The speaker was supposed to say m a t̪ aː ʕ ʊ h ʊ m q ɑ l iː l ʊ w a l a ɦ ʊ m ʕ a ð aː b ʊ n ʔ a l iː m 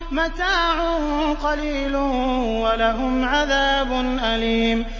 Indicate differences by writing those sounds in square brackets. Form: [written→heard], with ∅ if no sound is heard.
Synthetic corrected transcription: m a t̪ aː ʕ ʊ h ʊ m q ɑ l iː l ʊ w a l a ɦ ʊ m ʕ a ð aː b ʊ n ʔ a l iː m

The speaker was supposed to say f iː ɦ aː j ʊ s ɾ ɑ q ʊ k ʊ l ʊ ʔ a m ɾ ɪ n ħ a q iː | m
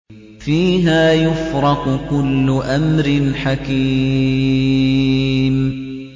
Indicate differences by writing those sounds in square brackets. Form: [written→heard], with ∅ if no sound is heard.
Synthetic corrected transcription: f iː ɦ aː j ʊ [s→f] ɾ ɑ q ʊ k ʊ [l→lː] ʊ ʔ a m ɾ ɪ n ħ a [q→k] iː | m

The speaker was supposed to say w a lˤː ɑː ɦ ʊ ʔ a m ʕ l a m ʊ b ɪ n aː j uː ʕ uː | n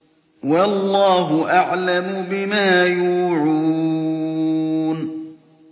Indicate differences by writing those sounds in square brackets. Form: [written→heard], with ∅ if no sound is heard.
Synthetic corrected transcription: w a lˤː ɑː ɦ ʊ ʔ a [m→∅] ʕ l a m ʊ b ɪ [n→m] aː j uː ʕ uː | n

